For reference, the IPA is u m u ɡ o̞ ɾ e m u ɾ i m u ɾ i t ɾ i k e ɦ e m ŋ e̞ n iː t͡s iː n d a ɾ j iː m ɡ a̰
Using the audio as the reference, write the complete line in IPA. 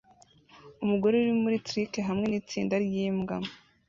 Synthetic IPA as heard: u m u ɡ o̞ ɾ e u ɾ i m u ɾ i t ɾ i k e ɦ a m ŋ e̞ n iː t͡s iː n d a ɾ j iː m ɡ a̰